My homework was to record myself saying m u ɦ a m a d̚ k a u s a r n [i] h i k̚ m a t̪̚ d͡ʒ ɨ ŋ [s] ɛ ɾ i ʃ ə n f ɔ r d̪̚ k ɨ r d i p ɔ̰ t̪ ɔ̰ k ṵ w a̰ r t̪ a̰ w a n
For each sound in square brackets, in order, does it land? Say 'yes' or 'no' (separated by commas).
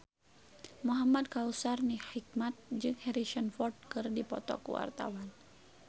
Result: yes, no